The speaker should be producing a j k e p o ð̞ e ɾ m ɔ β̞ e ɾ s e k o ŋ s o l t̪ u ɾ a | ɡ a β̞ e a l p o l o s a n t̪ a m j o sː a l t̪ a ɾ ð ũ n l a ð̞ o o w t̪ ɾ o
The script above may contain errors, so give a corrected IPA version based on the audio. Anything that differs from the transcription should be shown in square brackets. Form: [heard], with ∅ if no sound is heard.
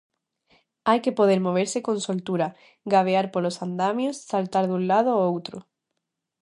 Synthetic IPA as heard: a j k e p o ð̞ e ɾ m [o] β̞ e ɾ s e k o [n] s o l t̪ u ɾ a | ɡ a β̞ e a [ɾ] p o l o s a n [d̪] a m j o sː a l t̪ a ɾ ð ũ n l a ð̞ o o w t̪ ɾ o

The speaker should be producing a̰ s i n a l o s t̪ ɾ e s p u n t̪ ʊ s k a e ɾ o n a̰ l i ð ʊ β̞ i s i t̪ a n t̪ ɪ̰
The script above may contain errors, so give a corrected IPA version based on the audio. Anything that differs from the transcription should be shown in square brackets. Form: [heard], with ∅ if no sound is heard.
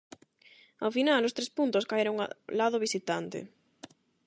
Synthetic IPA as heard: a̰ [f] i n a l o s t̪ ɾ e s p u n t̪ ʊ s k a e ɾ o [ŋ] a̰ l [a] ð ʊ β̞ i s i t̪ a n t̪ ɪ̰

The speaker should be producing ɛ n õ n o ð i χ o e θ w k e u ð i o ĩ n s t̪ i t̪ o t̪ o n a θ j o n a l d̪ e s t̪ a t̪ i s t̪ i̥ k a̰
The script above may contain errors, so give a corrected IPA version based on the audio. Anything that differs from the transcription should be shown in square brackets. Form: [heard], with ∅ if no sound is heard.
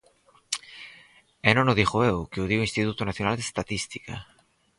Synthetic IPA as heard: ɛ n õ n o ð i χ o e [∅] w k e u ð i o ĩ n s t̪ i t̪ [u] t̪ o n a θ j o n a l d̪ e s t̪ a t̪ i s t̪ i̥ k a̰

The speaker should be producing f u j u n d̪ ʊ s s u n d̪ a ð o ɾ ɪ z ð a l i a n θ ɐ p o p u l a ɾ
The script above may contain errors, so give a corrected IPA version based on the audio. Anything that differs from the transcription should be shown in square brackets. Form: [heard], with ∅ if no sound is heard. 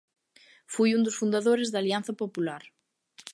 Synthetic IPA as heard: f u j u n d̪ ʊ s [f] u n d̪ a ð o ɾ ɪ z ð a l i a n θ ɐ p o p u l a ɾ

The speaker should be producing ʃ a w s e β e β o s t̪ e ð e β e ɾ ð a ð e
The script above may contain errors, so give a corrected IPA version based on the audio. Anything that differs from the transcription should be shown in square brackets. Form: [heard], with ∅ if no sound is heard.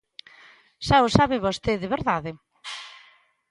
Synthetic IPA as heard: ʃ a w s [a] β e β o s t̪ e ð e β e ɾ ð a ð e

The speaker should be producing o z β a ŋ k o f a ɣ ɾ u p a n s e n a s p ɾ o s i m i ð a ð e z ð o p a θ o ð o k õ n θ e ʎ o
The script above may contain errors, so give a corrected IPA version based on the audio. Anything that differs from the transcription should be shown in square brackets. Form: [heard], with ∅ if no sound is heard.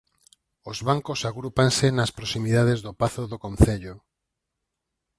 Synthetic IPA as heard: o z β a ŋ k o [s] a ɣ ɾ u p a n s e n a s p ɾ o s i m i ð a ð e z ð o p a θ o ð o k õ n θ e ʎ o

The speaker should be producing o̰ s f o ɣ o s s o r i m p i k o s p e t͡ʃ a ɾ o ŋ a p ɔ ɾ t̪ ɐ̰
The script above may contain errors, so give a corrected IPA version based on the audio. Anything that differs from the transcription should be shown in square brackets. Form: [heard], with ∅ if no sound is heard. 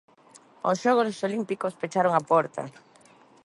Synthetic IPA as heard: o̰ s [ʃ] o ɣ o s s o [l] i m p i k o s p e t͡ʃ a ɾ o ŋ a p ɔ ɾ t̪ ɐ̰

